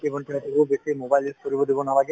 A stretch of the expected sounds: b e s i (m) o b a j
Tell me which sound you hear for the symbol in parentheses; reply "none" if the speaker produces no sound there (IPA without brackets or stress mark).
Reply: m